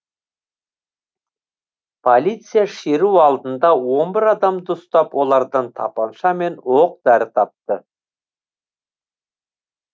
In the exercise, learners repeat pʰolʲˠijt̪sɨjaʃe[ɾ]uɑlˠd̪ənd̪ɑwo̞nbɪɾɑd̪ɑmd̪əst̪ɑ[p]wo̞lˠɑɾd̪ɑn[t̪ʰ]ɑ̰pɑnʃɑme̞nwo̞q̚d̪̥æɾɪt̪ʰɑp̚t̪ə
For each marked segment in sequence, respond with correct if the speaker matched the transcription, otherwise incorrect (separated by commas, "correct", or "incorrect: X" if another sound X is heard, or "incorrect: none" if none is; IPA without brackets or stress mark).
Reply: correct, correct, correct